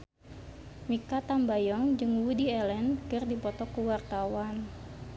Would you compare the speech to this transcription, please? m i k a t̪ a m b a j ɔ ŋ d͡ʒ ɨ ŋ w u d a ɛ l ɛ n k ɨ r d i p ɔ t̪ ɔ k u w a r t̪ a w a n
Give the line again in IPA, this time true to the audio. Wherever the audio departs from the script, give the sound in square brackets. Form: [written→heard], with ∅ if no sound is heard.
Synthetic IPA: m i k a t̪ a m b a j ɔ ŋ d͡ʒ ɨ ŋ w u d [a→i] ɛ l ɛ n k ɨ r d i p ɔ t̪ ɔ k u w a r t̪ a w a n